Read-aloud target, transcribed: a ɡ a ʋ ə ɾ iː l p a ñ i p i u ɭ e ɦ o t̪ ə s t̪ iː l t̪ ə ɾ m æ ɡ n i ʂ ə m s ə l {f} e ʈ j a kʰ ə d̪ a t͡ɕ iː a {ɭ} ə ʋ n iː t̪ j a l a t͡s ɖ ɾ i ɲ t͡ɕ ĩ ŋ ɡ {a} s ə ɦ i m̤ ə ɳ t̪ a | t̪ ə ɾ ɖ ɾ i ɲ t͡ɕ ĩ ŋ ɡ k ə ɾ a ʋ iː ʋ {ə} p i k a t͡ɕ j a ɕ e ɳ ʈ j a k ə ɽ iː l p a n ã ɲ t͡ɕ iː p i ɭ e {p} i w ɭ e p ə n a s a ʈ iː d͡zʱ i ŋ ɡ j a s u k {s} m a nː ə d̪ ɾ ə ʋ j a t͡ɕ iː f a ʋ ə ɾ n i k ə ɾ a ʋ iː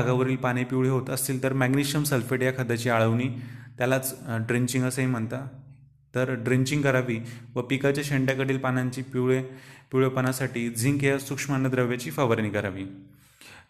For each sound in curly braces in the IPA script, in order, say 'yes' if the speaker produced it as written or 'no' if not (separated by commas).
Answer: yes, yes, no, yes, yes, no